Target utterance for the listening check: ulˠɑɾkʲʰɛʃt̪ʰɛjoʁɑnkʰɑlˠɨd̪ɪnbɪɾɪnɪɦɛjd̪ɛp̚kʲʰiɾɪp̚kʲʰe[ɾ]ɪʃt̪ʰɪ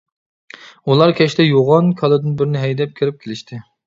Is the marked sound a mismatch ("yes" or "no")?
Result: yes